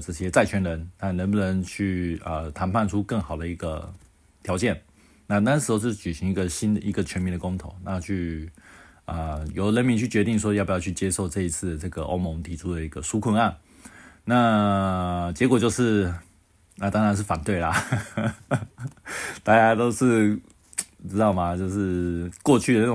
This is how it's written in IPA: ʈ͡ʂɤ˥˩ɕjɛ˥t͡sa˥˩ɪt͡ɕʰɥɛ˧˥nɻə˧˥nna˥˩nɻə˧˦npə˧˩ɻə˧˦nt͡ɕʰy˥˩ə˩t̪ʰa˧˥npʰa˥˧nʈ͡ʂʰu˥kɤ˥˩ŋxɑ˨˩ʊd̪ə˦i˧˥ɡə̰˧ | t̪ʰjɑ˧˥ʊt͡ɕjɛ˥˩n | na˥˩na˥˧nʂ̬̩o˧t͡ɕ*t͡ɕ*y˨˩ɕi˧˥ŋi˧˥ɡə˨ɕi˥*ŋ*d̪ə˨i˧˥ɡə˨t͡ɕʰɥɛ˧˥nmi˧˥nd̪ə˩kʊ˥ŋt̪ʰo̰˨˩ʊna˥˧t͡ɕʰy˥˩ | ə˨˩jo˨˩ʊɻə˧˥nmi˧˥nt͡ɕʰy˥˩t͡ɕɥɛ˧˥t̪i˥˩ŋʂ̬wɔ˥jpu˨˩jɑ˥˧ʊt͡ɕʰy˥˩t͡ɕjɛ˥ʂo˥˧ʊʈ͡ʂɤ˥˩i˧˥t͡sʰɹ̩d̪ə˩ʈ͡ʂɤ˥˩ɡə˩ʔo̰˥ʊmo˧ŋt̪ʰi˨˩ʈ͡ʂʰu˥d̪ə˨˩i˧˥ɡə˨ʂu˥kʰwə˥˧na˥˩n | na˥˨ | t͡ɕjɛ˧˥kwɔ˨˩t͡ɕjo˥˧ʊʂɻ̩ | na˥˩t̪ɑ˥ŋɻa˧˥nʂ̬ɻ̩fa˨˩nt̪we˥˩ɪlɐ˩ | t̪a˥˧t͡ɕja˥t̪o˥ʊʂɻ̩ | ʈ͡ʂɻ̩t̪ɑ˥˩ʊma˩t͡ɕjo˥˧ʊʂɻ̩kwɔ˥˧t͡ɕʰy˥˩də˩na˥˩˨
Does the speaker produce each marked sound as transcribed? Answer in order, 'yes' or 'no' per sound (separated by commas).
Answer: yes, no